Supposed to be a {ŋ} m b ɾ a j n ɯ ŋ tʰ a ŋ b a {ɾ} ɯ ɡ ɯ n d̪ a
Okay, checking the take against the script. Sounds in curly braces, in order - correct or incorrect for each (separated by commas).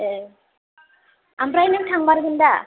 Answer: incorrect, correct